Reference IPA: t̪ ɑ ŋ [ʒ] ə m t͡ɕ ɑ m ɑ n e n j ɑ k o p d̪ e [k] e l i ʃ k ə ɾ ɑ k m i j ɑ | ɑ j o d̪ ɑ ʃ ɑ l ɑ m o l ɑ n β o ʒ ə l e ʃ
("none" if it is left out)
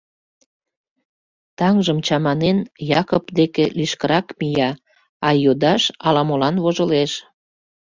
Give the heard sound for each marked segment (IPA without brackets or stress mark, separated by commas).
ʒ, k